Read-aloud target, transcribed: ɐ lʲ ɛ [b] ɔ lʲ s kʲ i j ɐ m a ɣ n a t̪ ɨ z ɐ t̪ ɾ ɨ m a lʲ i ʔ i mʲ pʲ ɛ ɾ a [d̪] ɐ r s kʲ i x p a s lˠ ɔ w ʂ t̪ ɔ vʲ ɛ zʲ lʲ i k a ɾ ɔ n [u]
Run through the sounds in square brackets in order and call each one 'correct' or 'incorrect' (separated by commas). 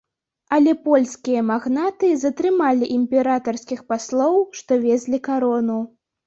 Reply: incorrect, incorrect, correct